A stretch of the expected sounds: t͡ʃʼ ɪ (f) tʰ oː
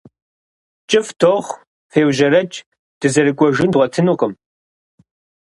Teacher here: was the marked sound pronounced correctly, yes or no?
yes